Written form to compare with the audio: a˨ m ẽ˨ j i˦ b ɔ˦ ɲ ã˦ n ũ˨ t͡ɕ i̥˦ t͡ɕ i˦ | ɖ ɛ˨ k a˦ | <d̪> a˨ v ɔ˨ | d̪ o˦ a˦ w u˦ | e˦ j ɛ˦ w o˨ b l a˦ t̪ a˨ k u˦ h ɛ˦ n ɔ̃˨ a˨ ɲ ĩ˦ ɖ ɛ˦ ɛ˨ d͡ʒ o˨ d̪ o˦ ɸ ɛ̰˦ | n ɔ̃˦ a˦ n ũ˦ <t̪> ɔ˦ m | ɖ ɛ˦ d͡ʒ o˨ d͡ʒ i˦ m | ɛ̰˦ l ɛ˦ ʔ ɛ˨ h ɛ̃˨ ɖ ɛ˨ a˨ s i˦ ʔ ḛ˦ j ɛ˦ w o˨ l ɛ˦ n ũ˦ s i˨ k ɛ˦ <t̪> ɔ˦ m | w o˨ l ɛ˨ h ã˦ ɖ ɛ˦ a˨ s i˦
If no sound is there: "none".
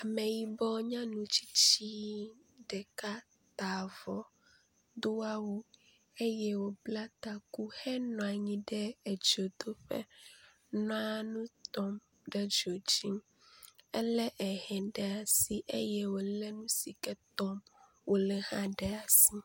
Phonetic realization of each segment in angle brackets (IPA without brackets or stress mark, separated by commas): t̪, t̪, t̪